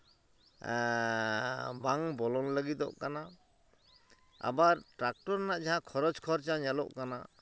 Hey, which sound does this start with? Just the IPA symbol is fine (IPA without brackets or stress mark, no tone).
b